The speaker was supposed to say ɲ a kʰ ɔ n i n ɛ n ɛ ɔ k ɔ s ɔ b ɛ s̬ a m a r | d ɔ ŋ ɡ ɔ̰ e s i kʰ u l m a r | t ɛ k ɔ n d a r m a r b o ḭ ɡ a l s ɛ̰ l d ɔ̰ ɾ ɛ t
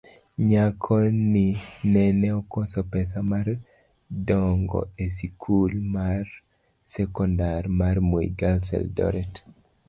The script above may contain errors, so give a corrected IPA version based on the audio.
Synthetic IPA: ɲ a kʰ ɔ n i n ɛ n ɛ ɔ k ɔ s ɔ p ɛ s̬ a m a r | d ɔ ŋ ɡ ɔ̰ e s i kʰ u l m a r | s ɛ k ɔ n d a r m a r m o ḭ ɡ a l s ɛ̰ l d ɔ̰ ɾ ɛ t